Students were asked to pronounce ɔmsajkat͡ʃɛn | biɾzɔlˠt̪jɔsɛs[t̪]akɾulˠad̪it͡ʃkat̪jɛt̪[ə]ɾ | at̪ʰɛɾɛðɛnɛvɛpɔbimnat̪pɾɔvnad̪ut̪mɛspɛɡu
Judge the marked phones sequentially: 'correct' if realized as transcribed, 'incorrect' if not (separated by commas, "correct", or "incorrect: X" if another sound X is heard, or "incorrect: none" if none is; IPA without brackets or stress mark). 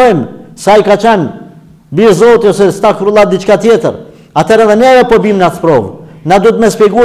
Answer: correct, correct